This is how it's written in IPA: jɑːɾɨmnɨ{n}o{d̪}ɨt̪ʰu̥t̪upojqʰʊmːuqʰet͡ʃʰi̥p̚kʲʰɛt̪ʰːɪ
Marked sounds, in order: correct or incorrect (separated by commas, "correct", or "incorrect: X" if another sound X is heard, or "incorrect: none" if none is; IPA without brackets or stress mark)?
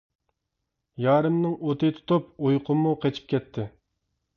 incorrect: ŋ, incorrect: t̪